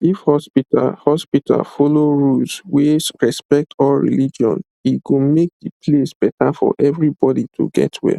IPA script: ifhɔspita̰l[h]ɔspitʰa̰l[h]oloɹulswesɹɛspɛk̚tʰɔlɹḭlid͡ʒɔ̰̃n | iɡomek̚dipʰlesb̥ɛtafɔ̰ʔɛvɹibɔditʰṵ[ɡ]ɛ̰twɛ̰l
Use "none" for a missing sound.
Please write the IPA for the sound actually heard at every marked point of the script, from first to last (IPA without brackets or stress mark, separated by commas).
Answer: h, f, ɡ